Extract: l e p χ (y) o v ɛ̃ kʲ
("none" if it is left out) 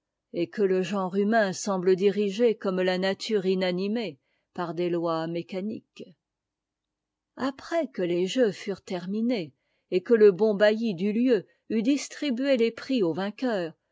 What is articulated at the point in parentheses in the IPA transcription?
i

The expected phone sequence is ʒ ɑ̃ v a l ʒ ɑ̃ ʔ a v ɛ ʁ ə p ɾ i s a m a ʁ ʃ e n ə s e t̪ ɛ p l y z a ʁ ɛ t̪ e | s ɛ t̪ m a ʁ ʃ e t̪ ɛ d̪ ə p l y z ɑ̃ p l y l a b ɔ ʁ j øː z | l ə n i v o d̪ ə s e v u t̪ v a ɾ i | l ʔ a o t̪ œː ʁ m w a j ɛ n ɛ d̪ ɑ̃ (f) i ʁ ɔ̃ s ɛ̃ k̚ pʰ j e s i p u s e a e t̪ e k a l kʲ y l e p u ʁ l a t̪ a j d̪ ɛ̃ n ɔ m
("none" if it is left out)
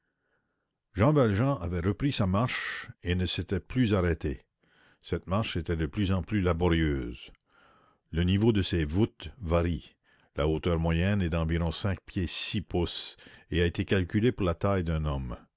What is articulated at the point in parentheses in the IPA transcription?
v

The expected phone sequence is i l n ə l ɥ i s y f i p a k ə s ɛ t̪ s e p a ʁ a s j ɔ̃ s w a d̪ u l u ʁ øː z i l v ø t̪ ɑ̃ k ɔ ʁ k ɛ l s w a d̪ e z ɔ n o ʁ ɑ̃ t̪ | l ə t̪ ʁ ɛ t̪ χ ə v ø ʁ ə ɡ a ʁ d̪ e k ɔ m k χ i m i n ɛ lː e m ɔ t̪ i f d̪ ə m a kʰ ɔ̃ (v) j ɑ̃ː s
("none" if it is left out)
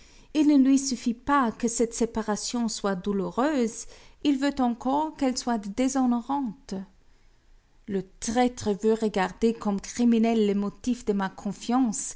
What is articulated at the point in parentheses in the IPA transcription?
f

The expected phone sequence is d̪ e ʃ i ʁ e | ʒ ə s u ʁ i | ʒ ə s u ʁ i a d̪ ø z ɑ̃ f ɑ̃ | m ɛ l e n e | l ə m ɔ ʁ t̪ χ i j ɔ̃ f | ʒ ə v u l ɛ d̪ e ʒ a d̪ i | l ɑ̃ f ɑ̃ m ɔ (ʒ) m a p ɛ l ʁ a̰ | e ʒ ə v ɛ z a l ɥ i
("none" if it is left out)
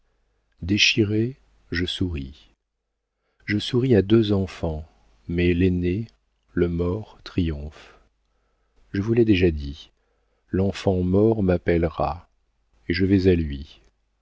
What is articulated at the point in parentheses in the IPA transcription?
ʁ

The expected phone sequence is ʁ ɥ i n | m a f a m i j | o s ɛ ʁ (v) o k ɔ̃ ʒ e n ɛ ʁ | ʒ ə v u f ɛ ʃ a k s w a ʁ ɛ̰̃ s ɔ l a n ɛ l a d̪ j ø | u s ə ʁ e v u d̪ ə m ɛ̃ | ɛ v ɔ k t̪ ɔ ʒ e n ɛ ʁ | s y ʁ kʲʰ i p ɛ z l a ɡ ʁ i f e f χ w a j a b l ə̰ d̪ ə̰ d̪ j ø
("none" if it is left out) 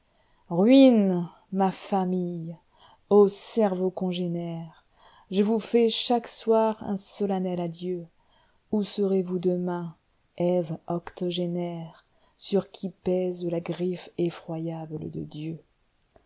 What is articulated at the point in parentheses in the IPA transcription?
v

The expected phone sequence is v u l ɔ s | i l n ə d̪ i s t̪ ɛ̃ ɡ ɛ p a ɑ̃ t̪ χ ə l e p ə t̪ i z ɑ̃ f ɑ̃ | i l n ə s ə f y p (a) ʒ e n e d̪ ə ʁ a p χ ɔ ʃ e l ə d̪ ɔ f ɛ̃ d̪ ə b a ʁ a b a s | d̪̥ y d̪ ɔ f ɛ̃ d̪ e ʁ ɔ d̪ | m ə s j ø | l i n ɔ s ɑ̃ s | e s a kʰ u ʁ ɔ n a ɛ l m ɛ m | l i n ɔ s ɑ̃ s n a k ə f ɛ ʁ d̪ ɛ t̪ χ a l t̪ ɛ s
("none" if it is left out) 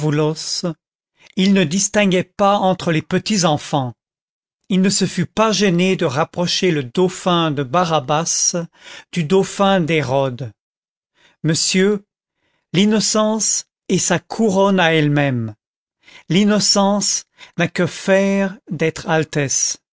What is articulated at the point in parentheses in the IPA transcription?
a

